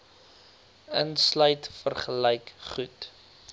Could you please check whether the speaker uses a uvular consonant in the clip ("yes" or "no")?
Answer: yes